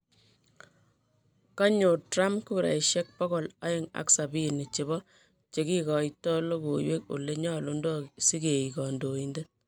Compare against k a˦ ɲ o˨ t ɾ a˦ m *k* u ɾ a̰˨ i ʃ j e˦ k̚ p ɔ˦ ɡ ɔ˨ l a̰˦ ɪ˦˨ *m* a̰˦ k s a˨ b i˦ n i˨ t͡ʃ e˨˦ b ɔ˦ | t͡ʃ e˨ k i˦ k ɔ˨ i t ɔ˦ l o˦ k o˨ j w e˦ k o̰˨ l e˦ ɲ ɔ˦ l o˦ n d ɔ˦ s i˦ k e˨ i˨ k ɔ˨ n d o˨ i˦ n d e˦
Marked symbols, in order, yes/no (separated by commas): yes, no